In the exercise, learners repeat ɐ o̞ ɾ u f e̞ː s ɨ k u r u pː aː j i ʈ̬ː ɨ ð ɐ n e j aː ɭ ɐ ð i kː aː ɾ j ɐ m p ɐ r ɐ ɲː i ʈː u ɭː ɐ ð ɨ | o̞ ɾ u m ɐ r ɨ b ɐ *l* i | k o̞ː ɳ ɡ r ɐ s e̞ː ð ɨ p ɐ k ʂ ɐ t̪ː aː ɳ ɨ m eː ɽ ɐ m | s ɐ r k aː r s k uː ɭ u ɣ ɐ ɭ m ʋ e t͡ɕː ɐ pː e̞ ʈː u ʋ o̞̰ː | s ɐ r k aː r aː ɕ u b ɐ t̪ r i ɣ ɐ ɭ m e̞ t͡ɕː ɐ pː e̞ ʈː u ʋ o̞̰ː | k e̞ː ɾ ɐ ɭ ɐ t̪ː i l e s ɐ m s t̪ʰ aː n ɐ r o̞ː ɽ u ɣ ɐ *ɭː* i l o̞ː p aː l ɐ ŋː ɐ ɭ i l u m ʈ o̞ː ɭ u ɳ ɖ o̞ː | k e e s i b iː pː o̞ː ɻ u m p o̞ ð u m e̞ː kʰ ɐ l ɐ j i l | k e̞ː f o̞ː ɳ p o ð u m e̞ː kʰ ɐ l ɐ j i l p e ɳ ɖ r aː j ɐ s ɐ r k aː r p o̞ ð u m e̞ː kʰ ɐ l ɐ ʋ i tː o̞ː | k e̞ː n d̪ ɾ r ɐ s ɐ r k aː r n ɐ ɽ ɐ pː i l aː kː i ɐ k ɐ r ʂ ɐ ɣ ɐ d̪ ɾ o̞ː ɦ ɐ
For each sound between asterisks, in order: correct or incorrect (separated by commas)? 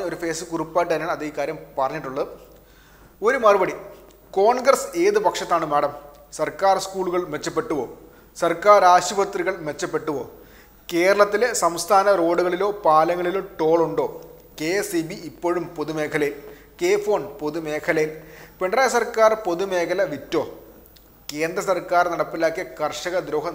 incorrect, incorrect